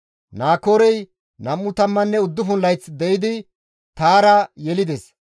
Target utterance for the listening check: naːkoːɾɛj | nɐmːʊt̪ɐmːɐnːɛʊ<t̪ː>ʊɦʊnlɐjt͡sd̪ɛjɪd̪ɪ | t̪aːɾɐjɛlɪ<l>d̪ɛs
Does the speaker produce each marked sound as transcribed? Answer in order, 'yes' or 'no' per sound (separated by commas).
no, no